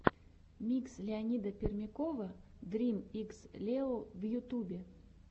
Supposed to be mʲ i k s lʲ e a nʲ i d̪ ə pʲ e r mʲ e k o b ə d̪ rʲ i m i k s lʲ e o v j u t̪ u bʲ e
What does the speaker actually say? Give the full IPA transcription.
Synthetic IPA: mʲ i k s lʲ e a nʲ i d̪ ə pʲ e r mʲ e k o v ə d̪ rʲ i m i k s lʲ e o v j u t̪ u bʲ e

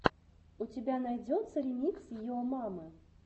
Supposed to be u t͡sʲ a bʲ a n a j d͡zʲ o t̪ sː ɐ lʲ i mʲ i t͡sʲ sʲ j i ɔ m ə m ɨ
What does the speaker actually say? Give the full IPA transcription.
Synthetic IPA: u t͡sʲ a bʲ a n a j d͡zʲ ɔ t̪ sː ɐ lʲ i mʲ i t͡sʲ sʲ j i ɔ m a m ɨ

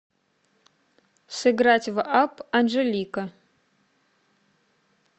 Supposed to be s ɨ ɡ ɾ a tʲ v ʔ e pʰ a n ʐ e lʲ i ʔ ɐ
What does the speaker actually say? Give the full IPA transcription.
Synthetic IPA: s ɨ ɡ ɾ a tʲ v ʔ a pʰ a n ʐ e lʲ i k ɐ

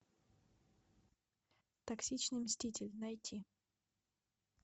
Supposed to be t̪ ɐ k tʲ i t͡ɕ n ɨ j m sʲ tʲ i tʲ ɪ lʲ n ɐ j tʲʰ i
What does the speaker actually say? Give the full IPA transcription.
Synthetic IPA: t̪ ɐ k sʲ i t͡ɕ n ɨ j m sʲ tʲ i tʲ ɪ lʲ n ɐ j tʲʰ i

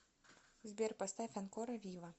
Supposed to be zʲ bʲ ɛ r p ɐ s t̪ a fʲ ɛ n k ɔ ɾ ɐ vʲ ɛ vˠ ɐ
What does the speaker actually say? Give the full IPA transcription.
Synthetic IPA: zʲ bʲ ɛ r p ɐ s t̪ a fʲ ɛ n k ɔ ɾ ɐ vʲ i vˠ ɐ

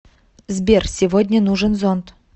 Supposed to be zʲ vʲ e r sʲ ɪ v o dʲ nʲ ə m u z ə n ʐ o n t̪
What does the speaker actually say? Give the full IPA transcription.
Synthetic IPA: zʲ bʲ e r sʲ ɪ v o dʲ nʲ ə n u ʐ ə n z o n t̪

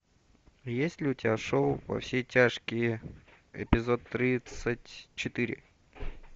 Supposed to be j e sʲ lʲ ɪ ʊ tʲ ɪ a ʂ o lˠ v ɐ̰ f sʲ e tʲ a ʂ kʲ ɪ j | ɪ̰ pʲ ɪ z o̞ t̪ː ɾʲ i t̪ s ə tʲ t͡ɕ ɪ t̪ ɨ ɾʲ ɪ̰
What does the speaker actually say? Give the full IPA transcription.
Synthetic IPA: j e sʲ lʲ ɪ ʊ tʲ ɪ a ʂ o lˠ v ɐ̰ f sʲ e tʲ a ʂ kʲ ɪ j | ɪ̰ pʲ ɪ z o̞ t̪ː ɾʲ i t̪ s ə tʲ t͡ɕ ɪ t̪ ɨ ɾʲ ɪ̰

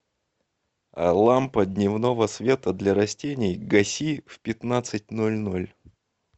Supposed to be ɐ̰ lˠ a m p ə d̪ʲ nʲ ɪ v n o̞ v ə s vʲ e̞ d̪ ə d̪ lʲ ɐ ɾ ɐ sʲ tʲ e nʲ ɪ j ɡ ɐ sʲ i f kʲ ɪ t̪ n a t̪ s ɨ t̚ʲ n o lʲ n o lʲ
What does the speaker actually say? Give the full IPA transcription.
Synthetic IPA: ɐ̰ lˠ a m p ə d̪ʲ nʲ ɪ v n o̞ v ə s vʲ e̞ t̪ ə d̪ lʲ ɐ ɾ ɐ sʲ tʲ e nʲ ɪ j ɡ ɐ sʲ i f pʲ ɪ t̪ n a t̪ s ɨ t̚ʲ n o lʲ n o lʲ

